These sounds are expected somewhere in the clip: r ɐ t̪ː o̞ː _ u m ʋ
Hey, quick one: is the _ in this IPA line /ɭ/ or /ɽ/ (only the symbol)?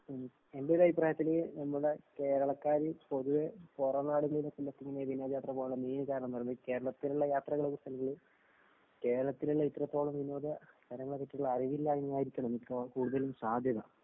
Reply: ɭ